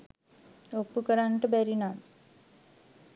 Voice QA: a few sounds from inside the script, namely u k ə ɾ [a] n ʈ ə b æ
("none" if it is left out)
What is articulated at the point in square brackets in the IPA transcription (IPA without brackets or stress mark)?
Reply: a